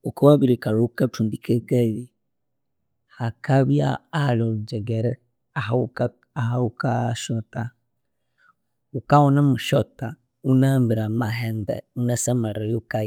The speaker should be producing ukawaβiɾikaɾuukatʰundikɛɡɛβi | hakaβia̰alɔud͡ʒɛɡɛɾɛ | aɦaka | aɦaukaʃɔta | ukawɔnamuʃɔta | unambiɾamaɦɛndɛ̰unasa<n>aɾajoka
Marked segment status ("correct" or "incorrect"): incorrect